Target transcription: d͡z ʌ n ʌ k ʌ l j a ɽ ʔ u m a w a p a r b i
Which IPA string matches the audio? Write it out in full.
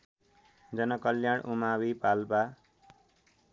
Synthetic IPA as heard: d͡z ʌ n ʌ k ʌ l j a ɽ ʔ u m a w i p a l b a